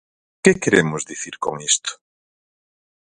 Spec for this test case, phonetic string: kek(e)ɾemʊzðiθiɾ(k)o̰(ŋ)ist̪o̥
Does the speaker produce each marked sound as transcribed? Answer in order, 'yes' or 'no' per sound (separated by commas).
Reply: yes, yes, yes